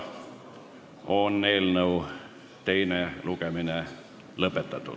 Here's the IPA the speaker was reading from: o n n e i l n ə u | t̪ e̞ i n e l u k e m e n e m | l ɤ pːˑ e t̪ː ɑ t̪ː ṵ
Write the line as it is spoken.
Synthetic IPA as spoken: o n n e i l n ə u | t̪ e̞ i n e l u k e m i n e | l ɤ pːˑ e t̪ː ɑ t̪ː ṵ